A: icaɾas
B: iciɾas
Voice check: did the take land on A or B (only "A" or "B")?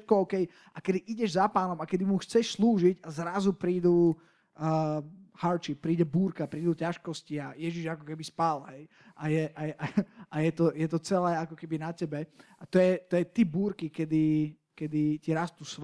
B